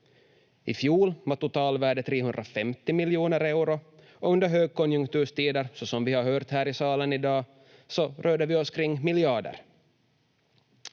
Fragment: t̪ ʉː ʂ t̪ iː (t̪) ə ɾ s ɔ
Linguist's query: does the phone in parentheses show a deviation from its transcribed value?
yes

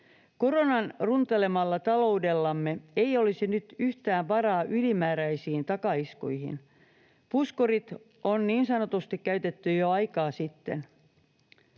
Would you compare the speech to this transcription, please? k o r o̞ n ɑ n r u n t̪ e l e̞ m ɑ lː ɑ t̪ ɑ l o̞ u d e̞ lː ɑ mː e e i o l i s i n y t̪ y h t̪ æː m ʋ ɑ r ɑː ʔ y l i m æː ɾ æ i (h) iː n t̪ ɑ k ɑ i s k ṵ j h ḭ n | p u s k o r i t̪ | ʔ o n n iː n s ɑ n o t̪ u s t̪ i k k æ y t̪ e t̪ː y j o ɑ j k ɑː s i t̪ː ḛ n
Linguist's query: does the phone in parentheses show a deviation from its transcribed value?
yes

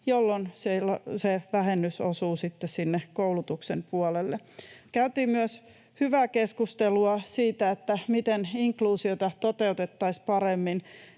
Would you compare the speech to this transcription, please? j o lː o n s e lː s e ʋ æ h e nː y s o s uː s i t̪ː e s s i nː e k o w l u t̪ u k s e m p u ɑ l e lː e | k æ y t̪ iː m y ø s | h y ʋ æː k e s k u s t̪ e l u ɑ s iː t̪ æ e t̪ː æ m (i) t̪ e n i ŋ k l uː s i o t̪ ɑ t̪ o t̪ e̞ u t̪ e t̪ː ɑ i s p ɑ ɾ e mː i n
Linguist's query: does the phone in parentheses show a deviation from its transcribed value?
no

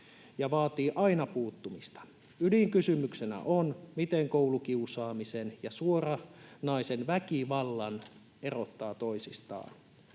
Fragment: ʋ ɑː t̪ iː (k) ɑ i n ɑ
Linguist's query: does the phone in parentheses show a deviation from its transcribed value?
yes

